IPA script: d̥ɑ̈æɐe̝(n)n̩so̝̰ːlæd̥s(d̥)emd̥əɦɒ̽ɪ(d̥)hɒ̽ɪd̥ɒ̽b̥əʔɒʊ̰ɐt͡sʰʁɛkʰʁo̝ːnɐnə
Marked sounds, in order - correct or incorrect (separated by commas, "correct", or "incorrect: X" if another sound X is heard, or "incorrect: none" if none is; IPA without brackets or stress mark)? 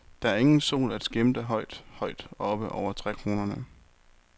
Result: incorrect: ŋ, incorrect: ɡ̥, correct